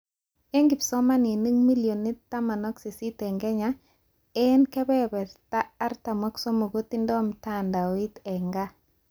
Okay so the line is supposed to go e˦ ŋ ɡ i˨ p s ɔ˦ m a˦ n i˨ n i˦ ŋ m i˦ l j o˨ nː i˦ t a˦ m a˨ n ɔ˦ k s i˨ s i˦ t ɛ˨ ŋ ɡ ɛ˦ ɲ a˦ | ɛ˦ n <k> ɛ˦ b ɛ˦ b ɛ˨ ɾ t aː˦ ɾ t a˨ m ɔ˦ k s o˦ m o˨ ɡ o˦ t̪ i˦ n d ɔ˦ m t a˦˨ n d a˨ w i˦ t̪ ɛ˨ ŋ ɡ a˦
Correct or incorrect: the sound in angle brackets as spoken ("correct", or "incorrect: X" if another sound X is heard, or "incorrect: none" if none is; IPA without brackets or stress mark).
correct